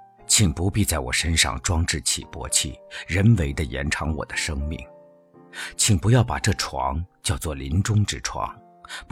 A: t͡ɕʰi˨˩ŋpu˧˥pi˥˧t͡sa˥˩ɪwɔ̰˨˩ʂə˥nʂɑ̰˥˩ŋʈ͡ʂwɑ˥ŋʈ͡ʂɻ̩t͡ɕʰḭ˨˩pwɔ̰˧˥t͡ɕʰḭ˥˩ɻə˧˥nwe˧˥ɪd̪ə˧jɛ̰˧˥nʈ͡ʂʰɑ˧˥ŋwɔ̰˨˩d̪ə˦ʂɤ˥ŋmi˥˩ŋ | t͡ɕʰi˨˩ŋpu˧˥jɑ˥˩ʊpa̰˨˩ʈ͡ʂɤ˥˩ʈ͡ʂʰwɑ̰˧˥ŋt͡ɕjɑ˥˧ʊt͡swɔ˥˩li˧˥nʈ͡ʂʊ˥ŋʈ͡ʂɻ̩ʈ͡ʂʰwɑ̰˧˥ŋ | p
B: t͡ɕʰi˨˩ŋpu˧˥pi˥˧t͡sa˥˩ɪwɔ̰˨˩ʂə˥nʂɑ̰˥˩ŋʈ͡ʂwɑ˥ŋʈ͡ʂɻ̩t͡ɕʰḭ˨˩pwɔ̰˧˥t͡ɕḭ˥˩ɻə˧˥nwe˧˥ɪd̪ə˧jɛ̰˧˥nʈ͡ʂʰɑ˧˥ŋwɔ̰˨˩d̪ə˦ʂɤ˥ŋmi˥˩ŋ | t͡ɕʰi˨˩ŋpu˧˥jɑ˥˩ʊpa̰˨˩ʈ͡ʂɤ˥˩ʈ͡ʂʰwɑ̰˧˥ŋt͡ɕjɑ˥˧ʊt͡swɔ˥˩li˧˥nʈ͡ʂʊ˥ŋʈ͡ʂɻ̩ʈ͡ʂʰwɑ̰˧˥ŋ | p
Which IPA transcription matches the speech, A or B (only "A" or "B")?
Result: A